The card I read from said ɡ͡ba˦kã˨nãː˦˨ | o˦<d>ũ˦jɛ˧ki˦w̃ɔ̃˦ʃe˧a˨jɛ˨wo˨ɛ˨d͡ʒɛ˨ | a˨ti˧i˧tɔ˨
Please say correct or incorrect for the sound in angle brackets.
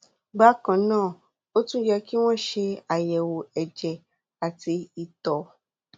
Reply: incorrect: t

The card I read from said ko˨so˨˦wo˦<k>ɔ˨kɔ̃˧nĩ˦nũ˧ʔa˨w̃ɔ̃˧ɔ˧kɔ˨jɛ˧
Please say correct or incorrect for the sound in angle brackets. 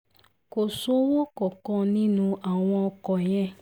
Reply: correct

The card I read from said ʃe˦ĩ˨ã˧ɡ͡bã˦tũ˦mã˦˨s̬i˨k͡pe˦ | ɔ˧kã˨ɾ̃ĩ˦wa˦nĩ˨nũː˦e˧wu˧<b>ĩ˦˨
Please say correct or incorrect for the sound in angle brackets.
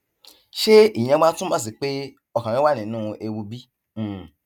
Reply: correct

